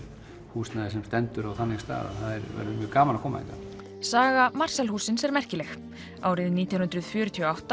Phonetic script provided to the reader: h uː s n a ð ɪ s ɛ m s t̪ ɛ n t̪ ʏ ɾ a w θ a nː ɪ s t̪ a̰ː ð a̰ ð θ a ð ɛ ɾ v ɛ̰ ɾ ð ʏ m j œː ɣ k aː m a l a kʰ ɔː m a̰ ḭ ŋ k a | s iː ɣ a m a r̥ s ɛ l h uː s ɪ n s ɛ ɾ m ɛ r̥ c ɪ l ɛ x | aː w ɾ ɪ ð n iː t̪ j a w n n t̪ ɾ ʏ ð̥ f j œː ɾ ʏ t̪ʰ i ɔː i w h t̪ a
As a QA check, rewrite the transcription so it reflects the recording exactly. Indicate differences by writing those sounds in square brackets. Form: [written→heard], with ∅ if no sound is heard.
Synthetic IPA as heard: h uː s n a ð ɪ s ɛ m s t̪ ɛ n t̪ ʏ ɾ a w θ a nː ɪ s t̪ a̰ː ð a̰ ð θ a ð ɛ ɾ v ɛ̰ ɾ ð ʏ m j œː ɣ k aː m a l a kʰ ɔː m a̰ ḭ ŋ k a | s [iː→aː] ɣ a m a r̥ s ɛ l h uː s ɪ n s ɛ ɾ m ɛ r̥ c ɪ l ɛ x | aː w ɾ ɪ ð n iː t̪ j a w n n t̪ ɾ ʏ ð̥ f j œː ɾ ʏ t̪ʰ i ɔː [i→a] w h t̪ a